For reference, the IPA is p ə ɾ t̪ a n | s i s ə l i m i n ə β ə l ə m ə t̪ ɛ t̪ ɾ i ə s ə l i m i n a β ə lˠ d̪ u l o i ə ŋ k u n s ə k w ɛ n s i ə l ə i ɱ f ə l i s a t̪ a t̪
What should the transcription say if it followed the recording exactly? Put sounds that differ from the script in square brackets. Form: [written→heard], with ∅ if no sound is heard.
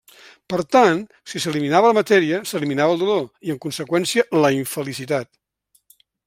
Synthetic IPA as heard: p ə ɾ t̪ a n | s i s ə l i m i n [ə→a] β ə l ə m ə t̪ ɛ [t̪→∅] ɾ i ə s ə l i m i n a β ə lˠ d̪ u l o i ə ŋ k u n s ə k w ɛ n s i ə l ə i ɱ f ə l i s [a→i] t̪ a t̪